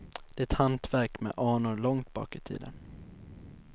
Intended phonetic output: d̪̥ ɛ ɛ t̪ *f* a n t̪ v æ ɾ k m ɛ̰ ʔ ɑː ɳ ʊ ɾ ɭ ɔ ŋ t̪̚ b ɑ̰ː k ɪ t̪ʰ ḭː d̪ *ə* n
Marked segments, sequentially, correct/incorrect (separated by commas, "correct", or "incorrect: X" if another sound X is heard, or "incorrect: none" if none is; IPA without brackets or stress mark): incorrect: h, correct